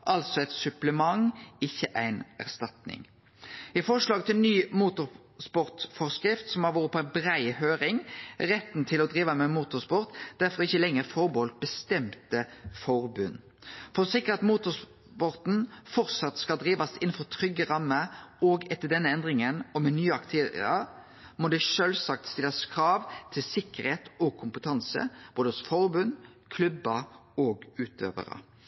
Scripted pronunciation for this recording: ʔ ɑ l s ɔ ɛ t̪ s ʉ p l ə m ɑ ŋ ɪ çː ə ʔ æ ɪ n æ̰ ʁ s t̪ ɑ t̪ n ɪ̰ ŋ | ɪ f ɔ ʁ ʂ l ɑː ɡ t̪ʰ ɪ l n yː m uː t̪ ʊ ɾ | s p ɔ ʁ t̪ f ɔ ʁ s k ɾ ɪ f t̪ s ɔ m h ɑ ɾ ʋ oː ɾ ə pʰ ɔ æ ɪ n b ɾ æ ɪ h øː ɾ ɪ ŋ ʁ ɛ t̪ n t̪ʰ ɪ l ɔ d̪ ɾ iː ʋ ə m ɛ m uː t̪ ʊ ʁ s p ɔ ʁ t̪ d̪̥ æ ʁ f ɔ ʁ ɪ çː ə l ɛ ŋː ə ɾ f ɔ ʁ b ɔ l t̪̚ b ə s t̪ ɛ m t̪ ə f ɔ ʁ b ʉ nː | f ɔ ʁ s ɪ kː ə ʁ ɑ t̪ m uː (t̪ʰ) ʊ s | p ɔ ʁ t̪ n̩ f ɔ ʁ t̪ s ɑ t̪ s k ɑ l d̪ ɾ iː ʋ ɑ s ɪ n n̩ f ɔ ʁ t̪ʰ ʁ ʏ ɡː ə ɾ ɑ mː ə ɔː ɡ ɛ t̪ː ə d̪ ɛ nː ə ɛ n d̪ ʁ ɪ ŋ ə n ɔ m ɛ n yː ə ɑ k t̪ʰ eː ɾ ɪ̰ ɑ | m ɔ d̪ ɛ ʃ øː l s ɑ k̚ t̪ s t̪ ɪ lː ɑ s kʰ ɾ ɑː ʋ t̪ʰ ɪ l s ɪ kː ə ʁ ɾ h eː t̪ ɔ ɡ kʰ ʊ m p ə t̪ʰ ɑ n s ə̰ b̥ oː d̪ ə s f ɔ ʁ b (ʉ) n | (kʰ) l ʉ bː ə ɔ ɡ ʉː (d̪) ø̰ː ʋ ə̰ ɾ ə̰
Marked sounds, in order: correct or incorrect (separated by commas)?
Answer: incorrect, correct, correct, incorrect